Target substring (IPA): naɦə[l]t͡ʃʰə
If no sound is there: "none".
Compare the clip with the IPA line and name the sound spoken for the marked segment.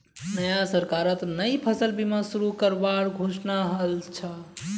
l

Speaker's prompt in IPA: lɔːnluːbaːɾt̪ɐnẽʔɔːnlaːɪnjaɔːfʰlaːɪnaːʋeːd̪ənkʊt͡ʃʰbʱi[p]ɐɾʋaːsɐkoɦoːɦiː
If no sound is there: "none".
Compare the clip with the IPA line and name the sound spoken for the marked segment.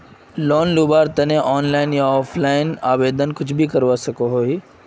k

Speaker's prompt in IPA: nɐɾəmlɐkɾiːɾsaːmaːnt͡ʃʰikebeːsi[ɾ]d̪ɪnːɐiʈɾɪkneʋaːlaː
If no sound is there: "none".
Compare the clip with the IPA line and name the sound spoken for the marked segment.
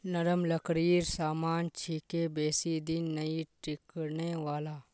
none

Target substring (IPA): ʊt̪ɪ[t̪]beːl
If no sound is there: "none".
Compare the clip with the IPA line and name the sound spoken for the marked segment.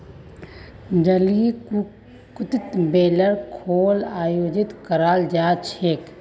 t̪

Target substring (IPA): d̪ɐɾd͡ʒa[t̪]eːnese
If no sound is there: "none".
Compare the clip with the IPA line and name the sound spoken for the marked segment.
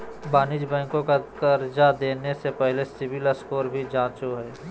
d̪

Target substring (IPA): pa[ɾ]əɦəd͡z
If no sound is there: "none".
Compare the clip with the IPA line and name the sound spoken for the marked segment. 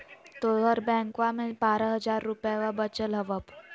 ɾ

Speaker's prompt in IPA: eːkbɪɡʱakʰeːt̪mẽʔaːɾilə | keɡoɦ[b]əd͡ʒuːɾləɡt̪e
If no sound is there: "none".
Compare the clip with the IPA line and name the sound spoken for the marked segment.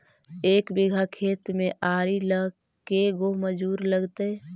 m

